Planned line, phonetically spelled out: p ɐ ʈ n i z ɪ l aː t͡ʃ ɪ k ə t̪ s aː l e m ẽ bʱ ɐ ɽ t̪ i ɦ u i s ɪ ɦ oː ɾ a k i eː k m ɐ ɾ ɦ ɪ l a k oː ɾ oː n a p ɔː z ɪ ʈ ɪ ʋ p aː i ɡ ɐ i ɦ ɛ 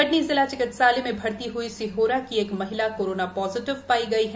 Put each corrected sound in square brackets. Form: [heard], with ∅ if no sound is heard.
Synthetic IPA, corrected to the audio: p ɐ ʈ n i z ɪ l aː t͡ʃ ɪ k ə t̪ s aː l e m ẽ bʱ ɐ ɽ t̪ i ɦ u i s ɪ ɦ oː ɾ a k i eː k m ɐ [∅] ɦ ɪ l a k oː ɾ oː n a p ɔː z ɪ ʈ ɪ ʋ p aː i ɡ ɐ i ɦ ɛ